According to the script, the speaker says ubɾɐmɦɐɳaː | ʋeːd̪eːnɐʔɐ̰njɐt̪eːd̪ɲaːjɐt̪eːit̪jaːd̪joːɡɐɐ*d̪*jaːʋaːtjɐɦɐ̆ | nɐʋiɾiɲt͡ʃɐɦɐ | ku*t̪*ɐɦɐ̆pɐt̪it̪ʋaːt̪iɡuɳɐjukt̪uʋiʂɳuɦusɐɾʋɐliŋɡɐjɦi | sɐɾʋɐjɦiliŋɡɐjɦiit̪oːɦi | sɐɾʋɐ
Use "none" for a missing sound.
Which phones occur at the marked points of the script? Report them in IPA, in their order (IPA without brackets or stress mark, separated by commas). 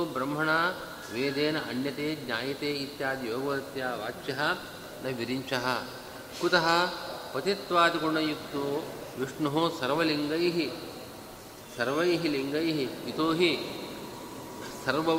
t̪, t̪